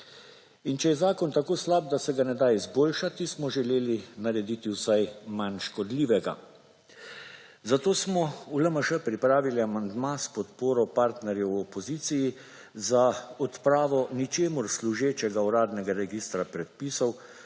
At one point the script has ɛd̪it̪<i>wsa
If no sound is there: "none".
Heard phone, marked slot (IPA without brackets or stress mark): i